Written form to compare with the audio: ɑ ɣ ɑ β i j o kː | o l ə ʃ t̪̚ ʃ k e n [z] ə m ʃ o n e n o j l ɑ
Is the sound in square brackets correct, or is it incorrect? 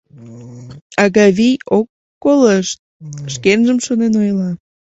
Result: incorrect